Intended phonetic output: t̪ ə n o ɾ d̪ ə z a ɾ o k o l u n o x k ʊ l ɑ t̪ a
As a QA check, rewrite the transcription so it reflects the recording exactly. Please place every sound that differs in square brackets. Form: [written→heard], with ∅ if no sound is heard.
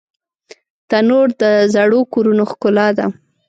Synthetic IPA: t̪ [ə→a] n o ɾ d̪ ə z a [ɾ→ɽ] o k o [l→ɾ] u n o x k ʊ l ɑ [t̪→d̪] a